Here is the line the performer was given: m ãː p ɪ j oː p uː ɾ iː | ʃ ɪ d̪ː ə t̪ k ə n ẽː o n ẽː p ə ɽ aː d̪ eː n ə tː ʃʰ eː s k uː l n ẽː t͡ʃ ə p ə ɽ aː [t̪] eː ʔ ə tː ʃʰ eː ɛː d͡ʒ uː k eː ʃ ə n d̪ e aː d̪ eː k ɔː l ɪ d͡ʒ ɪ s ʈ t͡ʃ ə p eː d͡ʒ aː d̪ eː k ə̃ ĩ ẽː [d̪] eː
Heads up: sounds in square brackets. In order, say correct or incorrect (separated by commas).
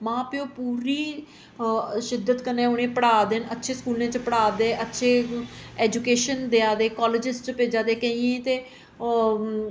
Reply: incorrect, incorrect